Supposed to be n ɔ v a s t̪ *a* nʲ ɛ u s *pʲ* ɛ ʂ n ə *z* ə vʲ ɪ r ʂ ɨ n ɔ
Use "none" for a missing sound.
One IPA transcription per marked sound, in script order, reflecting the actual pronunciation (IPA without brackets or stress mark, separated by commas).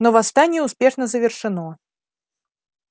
a, pʲ, z